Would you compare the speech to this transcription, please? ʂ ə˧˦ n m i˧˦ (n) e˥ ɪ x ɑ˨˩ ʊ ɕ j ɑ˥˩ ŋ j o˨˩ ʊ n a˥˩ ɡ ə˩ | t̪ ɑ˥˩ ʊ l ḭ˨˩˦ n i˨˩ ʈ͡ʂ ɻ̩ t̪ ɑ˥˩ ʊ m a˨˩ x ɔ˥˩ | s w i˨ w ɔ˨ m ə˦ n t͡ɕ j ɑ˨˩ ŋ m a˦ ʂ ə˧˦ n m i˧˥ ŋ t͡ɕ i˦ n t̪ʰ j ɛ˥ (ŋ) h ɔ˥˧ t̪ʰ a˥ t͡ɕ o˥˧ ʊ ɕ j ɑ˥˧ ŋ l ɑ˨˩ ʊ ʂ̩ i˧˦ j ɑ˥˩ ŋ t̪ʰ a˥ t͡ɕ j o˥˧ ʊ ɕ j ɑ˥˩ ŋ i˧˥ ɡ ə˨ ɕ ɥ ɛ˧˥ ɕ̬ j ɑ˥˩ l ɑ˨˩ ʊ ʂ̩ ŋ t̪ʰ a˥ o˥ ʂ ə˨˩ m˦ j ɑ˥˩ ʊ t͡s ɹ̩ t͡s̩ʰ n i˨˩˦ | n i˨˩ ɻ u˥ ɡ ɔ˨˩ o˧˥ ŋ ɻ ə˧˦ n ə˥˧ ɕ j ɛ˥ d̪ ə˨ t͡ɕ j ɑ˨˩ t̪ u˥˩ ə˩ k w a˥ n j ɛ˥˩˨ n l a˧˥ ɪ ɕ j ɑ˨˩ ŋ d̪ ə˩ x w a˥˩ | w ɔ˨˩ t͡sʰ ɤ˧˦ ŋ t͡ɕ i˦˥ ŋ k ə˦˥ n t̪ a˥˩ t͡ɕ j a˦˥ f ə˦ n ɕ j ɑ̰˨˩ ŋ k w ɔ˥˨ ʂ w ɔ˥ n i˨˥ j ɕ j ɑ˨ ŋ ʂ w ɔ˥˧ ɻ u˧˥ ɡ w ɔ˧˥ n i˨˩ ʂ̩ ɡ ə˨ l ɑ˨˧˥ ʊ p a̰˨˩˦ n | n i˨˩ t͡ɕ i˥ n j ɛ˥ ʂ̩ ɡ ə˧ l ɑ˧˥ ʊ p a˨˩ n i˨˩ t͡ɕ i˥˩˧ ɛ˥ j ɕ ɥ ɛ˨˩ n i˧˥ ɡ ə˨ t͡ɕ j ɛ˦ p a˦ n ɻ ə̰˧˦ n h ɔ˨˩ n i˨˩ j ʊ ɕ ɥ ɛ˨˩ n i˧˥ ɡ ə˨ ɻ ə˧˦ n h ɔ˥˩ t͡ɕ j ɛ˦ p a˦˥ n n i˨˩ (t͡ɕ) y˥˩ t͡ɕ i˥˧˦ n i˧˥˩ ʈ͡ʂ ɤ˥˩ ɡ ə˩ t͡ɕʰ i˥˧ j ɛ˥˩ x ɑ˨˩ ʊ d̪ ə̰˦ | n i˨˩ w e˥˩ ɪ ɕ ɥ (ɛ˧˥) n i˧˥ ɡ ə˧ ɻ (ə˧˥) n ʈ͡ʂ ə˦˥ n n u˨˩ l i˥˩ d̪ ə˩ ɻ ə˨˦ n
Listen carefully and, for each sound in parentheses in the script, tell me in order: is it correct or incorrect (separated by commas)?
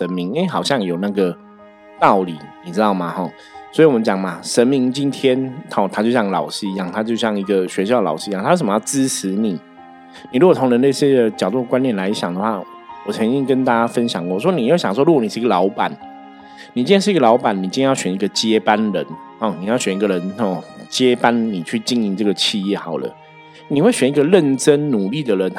incorrect, incorrect, incorrect, incorrect, incorrect